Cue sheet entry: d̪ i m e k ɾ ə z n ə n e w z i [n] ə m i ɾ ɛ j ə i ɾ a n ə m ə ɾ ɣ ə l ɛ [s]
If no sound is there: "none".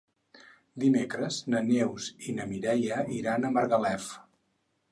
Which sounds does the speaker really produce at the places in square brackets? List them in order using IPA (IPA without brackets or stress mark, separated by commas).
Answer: n, f